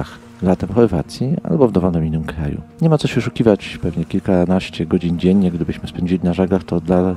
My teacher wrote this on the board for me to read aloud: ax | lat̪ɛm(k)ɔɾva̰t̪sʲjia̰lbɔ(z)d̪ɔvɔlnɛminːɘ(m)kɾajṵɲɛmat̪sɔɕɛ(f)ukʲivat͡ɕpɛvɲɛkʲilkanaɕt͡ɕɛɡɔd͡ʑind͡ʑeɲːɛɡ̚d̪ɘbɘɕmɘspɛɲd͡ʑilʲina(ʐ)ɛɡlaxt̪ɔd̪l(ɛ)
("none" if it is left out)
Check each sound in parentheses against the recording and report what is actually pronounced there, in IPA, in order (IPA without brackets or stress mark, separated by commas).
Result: x, v, m, ʂ, ʐ, a